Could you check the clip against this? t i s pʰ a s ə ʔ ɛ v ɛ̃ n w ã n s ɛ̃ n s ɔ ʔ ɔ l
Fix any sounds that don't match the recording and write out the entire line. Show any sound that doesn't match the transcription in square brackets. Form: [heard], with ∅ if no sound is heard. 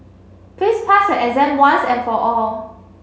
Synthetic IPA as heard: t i s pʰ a s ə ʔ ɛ [z] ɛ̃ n w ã n s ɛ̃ n [f] ɔ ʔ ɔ l